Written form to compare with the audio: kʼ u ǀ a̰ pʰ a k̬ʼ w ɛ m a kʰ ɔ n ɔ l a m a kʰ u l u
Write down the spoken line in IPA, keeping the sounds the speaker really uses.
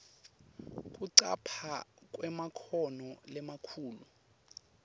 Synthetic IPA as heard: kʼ u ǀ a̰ pʰ a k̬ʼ w ɛ m a kʰ ɔ n ɔ l ɛ m a kʰ uː l u